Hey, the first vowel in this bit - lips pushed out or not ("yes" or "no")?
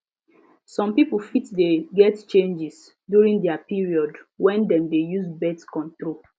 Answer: yes